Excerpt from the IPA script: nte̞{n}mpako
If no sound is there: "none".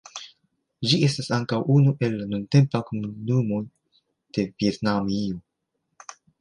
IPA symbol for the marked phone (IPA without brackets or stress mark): none